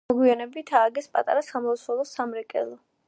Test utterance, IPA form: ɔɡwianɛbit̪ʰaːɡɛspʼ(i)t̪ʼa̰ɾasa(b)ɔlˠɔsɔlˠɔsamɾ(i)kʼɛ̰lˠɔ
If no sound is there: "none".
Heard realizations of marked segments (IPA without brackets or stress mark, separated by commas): a, m, ɛ